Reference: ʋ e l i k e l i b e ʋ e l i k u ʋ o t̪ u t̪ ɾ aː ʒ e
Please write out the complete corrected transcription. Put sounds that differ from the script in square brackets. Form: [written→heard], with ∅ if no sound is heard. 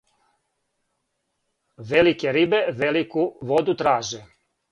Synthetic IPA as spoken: ʋ e l i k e [l→ɾ] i b e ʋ e l i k u ʋ o [t̪→d̪] u t̪ ɾ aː ʒ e